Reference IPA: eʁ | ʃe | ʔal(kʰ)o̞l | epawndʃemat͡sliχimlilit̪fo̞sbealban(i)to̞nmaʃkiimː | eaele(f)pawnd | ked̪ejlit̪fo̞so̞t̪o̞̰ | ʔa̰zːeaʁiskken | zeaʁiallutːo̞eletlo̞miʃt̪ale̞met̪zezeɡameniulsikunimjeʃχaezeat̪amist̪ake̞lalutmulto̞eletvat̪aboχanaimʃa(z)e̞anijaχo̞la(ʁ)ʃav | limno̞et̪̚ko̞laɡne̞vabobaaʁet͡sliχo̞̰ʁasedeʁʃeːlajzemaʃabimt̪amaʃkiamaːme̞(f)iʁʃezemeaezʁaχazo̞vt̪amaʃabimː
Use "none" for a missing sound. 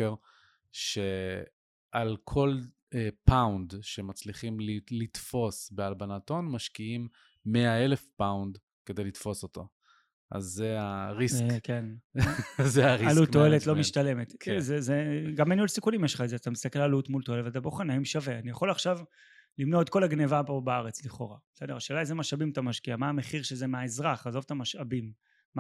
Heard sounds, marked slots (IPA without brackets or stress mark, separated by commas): kʰ, a, f, v, χ, χ